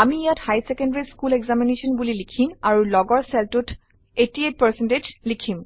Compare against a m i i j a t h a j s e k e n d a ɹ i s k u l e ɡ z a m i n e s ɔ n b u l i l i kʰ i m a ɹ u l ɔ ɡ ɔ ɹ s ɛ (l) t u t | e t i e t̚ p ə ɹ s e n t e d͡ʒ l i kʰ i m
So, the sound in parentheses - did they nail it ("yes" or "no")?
yes